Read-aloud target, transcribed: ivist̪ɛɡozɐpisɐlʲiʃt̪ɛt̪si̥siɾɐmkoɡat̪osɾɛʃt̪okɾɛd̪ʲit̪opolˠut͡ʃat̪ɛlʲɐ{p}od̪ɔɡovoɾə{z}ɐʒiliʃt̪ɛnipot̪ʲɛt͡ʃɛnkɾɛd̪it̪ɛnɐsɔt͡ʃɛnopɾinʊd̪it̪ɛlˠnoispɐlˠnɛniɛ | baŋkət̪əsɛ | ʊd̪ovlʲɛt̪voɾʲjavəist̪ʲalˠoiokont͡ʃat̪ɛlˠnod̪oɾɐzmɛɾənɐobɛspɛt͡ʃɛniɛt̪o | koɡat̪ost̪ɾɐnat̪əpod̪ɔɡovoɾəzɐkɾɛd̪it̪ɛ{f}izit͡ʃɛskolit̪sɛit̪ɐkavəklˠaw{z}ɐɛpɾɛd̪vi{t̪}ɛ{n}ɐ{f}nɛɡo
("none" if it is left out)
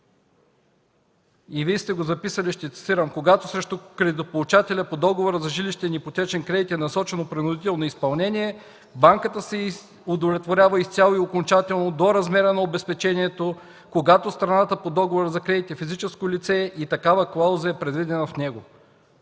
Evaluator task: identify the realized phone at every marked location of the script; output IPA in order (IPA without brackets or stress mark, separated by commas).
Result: p, z, f, z, d̪, n, f